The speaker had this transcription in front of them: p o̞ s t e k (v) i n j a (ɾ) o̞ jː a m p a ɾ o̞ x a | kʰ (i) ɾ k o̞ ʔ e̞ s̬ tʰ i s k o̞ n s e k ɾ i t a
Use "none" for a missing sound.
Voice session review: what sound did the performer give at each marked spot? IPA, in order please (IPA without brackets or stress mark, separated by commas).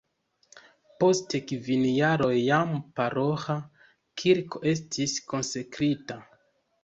v, ɾ, i